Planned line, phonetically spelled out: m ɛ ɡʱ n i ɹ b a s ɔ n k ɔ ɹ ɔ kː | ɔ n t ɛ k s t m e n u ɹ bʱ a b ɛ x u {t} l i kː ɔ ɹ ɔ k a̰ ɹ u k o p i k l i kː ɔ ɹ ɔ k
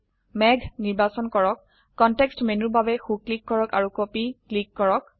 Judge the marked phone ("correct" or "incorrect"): incorrect